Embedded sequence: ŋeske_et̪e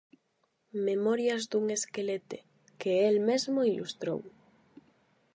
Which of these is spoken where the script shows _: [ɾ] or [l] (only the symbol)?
l